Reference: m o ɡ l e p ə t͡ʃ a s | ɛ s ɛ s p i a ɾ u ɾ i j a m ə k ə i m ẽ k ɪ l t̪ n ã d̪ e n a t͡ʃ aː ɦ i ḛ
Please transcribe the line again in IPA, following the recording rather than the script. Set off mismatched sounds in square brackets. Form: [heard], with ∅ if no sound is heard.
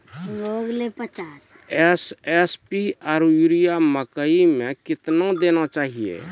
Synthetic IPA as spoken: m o ɡ l e p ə t͡ʃ a s | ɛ s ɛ s p i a ɾ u ɾ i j a m ə k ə i m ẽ k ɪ [∅] t̪ n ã d̪ e n a t͡ʃ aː ɦ i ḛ